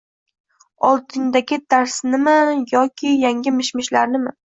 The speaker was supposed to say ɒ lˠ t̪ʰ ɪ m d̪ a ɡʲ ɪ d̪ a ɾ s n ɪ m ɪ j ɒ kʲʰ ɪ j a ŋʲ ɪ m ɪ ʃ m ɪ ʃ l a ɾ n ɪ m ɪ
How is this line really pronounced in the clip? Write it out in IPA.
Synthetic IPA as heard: ɒ lˠ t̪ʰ ɪ ŋ d̪ a ɡʲ ɪ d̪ a ɾ s n ɪ m ɪ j ɒ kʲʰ ɪ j a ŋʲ ɪ m ɪ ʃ m ɪ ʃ l a ɾ n ɪ m ɪ